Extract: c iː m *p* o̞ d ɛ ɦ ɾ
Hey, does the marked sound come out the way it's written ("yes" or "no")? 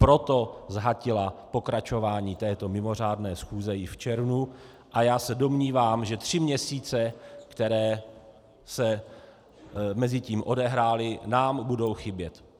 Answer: no